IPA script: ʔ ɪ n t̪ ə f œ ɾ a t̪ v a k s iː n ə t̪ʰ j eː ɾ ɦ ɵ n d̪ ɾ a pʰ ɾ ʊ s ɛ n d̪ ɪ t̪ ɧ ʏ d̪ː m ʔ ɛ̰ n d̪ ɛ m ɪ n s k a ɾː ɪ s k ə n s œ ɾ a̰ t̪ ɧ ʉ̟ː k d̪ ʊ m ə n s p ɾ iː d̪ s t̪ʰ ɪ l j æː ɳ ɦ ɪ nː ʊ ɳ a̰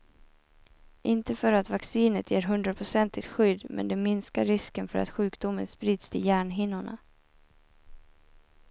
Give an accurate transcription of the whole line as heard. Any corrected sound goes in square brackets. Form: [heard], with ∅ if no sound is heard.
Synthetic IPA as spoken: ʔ ɪ n t̪ ə f œ ɾ a t̪ v a k s iː n ə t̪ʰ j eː ɾ ɦ ɵ n d̪ ɾ a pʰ ɾ ʊ s ɛ n [t̪] ɪ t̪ ɧ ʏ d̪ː m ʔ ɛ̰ n d̪ ɛ m ɪ n s k a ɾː ɪ s k ə n [f] œ ɾ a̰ t̪ ɧ ʉ̟ː k d̪ ʊ m ə n s p ɾ iː d̪ s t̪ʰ ɪ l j æː ɳ ɦ ɪ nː ʊ ɳ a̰